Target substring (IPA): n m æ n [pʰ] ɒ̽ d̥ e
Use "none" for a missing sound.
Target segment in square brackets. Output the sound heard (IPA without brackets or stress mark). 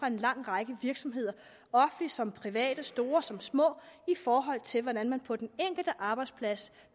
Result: pʰ